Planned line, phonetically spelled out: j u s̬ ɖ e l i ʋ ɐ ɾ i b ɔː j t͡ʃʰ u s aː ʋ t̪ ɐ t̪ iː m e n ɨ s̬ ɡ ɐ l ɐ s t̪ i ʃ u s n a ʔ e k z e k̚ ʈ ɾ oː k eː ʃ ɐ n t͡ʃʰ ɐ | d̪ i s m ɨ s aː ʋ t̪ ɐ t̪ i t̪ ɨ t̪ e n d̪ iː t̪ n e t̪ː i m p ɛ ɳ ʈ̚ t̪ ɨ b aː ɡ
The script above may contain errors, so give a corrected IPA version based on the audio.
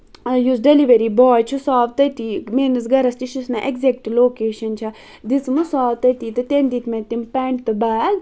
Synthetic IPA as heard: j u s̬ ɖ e l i ʋ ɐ ɾ i b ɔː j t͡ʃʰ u s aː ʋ t̪ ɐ t̪ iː m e n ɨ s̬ ɡ ɐ ɾ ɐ s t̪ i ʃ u s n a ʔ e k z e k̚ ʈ l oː k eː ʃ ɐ n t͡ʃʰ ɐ | d̪ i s m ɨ s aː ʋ t̪ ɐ t̪ i t̪ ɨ t̪ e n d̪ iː t̪ m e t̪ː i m p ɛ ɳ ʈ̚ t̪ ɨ b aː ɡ